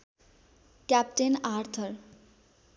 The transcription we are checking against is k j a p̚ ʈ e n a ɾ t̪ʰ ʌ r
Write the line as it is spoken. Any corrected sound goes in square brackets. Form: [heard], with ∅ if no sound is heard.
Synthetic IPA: k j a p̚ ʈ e n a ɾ t̪ʰ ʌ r